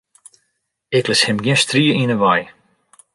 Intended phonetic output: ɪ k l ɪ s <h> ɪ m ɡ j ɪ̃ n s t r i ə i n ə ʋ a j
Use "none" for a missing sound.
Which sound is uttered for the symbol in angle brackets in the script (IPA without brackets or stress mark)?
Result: h